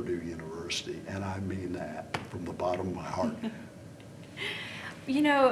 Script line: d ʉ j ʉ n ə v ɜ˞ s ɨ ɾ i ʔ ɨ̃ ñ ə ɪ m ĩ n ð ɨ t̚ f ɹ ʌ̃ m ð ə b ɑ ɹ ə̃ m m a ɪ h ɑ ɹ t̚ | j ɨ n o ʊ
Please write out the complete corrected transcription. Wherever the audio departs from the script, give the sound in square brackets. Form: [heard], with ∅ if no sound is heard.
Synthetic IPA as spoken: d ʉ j ʉ n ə v ɜ˞ s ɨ ɾ i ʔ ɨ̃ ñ [a] ɪ m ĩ n ð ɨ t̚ f ɹ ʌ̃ m ð ə b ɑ [ɾ] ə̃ m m a ɪ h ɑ ɹ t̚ | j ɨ n o ʊ